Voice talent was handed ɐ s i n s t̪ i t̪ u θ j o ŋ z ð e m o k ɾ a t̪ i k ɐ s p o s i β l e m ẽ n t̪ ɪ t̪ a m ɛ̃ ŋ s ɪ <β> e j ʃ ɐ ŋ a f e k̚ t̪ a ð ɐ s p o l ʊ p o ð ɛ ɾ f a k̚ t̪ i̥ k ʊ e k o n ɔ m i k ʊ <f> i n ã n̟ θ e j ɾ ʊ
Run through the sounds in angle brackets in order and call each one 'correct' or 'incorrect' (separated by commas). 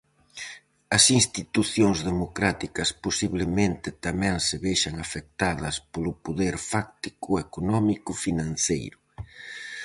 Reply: correct, correct